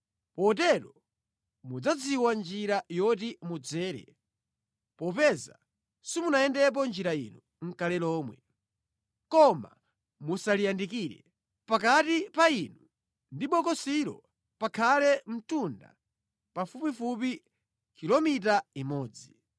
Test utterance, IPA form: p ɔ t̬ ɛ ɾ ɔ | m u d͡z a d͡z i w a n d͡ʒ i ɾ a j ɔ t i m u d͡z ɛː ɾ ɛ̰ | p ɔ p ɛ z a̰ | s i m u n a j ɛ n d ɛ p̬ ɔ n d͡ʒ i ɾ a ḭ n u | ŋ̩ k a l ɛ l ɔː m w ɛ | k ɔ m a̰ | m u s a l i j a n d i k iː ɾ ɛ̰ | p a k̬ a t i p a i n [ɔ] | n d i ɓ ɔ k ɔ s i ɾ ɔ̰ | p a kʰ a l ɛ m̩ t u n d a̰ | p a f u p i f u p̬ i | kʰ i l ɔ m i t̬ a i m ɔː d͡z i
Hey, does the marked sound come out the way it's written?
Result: no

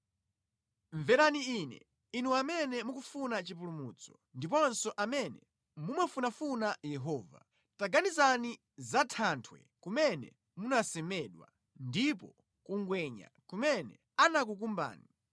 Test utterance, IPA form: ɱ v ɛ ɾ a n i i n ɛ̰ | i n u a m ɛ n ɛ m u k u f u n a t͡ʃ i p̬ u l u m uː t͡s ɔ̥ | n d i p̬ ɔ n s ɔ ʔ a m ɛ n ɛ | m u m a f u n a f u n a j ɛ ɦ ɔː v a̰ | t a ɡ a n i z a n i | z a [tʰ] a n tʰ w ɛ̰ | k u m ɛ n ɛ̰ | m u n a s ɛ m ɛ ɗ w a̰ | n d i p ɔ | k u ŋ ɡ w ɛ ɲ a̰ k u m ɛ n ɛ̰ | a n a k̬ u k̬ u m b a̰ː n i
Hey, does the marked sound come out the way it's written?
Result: yes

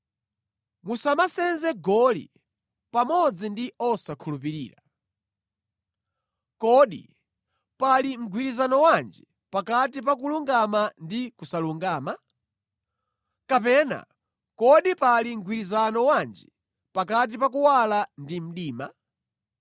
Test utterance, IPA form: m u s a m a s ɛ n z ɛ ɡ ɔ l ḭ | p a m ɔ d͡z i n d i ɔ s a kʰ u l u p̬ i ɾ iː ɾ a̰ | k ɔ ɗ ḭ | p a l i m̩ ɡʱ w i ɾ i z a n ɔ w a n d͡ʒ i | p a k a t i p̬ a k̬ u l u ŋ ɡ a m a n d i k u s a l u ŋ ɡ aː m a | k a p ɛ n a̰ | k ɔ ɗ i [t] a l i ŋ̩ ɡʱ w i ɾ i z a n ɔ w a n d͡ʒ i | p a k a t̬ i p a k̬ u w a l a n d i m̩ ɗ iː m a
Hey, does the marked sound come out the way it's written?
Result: no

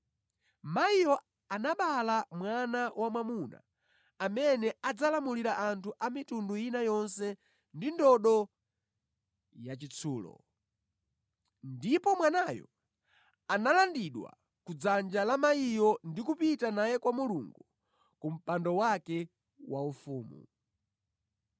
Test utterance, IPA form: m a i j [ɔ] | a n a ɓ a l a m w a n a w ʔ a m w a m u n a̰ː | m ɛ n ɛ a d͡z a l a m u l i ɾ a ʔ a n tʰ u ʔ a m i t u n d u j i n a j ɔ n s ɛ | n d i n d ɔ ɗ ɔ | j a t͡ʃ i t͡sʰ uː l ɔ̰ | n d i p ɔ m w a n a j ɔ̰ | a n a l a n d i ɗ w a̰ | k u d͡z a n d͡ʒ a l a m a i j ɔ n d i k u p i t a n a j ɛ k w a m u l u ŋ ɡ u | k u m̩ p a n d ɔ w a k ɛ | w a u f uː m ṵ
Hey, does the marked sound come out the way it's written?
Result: yes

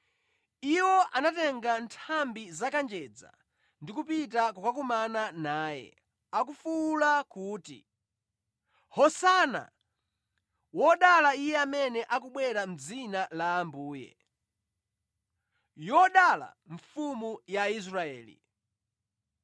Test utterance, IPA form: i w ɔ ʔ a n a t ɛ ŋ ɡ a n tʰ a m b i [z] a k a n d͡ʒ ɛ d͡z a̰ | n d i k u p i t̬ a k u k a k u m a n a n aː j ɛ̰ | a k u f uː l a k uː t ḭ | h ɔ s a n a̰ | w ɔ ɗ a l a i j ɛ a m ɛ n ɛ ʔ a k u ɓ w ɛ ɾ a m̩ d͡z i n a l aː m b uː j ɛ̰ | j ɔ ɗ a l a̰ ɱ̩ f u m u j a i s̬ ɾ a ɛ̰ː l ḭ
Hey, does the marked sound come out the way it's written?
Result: yes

